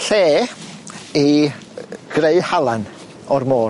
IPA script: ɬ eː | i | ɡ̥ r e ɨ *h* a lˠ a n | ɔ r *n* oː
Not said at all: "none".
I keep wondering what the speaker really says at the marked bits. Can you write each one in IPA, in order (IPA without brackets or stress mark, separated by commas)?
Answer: h, m